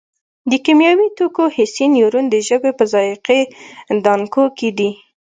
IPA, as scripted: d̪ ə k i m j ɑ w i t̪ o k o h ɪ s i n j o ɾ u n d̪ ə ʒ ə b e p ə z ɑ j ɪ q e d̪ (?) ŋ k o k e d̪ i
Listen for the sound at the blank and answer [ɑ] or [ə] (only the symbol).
ɑ